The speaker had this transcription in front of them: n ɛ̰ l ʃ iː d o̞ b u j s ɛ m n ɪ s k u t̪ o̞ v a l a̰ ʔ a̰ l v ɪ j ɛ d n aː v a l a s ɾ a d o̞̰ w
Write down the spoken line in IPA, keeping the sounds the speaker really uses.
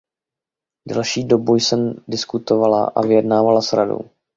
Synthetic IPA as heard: d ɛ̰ l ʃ iː d o̞ b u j s ɛ m d ɪ s k u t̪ o̞ v a l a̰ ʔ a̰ v ɪ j ɛ d n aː v a l a s ɾ a d o̞̰ w

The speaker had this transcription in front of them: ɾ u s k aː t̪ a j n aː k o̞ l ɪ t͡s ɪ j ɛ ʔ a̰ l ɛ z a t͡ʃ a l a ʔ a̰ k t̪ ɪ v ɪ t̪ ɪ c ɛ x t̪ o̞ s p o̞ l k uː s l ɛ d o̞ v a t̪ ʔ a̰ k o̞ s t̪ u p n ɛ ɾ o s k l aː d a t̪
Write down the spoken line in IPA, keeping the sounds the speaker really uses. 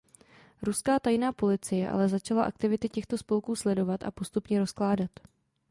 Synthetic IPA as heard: ɾ u s k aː t̪ a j n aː p o̞ l ɪ t͡s ɪ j ɛ ʔ a̰ l ɛ z a t͡ʃ a l a ʔ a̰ k t̪ ɪ v ɪ t̪ ɪ c ɛ x t̪ o̞ s p o̞ l k uː s l ɛ d o̞ v a t̪ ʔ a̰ p o̞ s t̪ u p ɲ ɛ ɾ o s k l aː d a t̪

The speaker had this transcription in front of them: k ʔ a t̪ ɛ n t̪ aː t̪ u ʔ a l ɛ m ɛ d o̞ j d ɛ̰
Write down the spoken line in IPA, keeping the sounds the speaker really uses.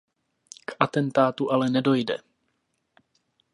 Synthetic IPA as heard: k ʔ a t̪ ɛ n t̪ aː t̪ u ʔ a l ɛ n ɛ d o̞ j d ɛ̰

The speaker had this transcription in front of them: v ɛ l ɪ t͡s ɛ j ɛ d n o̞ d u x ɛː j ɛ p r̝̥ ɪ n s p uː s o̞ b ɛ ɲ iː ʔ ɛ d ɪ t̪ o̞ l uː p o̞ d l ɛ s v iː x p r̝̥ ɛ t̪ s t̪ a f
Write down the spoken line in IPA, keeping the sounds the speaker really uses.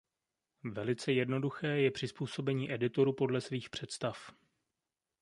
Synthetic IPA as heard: v ɛ l ɪ t͡s ɛ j ɛ d n o̞ d u x ɛː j ɛ p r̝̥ ɪ s p uː s o̞ b ɛ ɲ iː ʔ ɛ d ɪ t̪ o̞ ɾ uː p o̞ d l ɛ s v iː x p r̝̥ ɛ t̪ s t̪ a f

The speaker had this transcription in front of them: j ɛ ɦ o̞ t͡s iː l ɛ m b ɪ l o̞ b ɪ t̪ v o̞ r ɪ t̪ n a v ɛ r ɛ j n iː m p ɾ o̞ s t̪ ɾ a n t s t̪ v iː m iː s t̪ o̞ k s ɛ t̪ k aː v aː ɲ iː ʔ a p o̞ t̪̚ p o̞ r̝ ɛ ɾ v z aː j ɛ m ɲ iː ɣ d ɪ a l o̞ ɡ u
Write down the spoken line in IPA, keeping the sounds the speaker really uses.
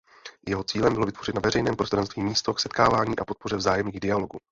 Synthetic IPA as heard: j ɛ ɦ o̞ t͡s iː l ɛ m b ɪ l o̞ v ɪ t̪ v o̞ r ɪ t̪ n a v ɛ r ɛ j n ɛː m p ɾ o̞ s t̪ ɾ a n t s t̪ v iː m iː s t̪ o̞ k s ɛ t̪ k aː v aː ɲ iː ʔ a p o̞ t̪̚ p o̞ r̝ ɛ v z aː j ɛ m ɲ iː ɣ d ɪ a l o̞ ɡ u

